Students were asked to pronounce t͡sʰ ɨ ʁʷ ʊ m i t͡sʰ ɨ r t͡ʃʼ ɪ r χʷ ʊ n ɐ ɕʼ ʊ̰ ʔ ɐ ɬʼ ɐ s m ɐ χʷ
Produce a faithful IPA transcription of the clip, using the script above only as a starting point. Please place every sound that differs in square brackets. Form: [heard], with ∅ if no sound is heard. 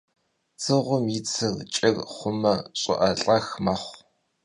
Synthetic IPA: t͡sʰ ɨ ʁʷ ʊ m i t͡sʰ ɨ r t͡ʃʼ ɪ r χʷ ʊ [m] ɐ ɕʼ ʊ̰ ʔ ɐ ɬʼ ɐ [x] m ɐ χʷ